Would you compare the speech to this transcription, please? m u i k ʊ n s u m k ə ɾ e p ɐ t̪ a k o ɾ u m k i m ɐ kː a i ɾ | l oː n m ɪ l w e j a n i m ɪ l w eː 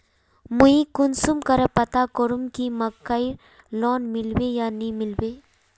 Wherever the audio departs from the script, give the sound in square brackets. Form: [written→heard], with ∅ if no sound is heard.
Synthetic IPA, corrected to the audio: m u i k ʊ n s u m k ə ɾ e p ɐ t̪ a k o ɾ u m k i m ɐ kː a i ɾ | l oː n m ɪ l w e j a n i m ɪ l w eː